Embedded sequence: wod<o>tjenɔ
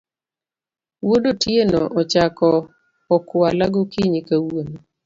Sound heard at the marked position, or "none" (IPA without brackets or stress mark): o